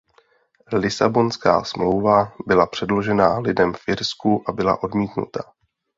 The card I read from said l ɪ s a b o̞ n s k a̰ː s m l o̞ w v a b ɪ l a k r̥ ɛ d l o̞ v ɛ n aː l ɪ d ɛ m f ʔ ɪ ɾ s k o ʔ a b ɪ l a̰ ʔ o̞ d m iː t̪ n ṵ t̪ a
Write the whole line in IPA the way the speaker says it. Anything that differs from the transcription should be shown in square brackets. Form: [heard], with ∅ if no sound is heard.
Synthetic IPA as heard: l ɪ s a b o̞ n s k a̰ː s m l o̞ w v a b ɪ l a [p] r̥ ɛ d l o̞ [ʒ] ɛ n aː l ɪ d ɛ m f ʔ ɪ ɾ s k [u] ʔ a b ɪ l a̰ ʔ o̞ d m iː t̪ n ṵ t̪ a